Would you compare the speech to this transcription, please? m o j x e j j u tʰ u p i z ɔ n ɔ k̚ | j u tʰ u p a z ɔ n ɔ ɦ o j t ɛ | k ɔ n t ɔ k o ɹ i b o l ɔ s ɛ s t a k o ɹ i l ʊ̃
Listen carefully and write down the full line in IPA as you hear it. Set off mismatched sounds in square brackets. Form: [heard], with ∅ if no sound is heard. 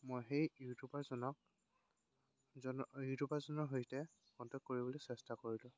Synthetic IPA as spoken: m o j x e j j u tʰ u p [a] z ɔ n ɔ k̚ | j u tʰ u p a z ɔ n ɔ ɦ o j t ɛ | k ɔ n t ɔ k o ɹ i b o l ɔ s ɛ s t a k o ɹ i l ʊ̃